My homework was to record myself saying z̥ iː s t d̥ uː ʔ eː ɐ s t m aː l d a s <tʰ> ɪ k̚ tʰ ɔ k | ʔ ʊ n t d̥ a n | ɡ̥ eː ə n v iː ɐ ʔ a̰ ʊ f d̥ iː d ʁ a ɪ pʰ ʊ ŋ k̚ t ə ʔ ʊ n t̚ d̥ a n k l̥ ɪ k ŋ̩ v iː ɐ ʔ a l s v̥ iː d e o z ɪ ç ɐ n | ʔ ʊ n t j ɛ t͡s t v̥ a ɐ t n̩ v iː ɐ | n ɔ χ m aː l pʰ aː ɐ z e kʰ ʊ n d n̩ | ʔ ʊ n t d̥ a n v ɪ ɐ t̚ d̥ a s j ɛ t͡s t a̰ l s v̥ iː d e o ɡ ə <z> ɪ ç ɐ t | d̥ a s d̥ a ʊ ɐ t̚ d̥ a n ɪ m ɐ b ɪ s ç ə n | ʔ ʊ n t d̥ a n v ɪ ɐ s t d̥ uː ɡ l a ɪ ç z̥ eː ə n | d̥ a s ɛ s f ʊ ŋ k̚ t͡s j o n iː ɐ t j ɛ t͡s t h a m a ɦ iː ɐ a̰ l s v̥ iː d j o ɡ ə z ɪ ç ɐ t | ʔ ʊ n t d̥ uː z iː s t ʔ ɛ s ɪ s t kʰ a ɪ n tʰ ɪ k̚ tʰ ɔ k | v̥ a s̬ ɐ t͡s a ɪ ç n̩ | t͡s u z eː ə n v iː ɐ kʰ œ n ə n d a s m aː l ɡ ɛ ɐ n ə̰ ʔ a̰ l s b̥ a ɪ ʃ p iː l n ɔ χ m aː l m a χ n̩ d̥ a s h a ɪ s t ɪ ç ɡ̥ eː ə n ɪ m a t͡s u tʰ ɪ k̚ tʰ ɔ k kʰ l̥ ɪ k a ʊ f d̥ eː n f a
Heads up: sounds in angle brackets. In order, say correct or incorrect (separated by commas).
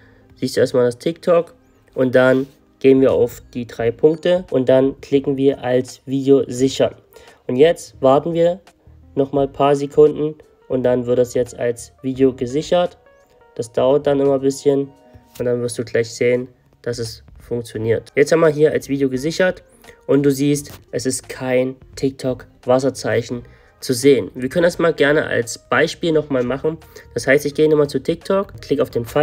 correct, correct